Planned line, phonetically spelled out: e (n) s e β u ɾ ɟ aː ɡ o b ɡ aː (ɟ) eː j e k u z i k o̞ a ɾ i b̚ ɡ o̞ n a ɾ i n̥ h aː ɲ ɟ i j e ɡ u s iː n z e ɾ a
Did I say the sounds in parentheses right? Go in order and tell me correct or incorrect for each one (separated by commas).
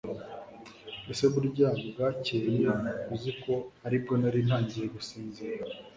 incorrect, incorrect